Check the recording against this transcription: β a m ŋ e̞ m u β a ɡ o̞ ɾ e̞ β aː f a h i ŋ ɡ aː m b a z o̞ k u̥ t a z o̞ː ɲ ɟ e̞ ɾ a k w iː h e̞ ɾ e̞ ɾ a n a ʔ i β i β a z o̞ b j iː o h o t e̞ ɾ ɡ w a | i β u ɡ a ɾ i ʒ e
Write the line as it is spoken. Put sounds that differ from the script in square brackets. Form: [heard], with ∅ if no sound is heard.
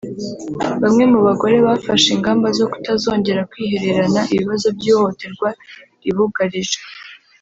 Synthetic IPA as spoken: β a m ŋ e̞ m u β a ɡ o̞ ɾ e̞ β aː f a [ʃ] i ŋ ɡ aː m b a z o̞ k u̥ t a z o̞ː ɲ ɟ e̞ ɾ a k w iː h e̞ ɾ e̞ ɾ a n a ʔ i β i β a z o̞ b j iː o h o t e̞ ɾ ɡ w a | i β u ɡ a ɾ i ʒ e